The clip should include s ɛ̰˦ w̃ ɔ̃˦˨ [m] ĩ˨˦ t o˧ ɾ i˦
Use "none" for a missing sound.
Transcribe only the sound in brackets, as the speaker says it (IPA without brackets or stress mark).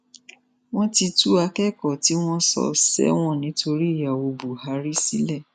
n